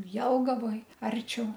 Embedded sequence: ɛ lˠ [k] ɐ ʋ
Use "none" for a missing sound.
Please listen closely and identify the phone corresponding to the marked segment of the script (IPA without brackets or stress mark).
ɡ